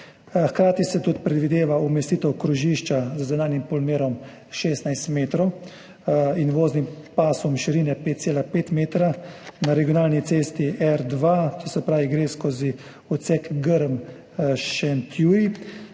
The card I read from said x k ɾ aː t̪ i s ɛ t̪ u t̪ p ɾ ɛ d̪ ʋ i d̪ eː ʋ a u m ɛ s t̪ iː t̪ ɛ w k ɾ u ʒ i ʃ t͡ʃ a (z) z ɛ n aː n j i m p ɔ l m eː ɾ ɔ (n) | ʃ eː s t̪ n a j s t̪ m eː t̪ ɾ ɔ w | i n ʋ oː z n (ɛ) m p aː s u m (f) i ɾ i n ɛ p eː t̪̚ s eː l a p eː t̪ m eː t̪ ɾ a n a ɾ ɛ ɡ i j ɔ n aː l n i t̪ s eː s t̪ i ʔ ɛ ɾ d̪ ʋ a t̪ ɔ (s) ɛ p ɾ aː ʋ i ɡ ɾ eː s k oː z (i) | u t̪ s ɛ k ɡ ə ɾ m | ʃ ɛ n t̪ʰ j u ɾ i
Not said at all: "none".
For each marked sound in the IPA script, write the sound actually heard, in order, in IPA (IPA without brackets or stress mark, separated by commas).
z, m, i, ʃ, s, i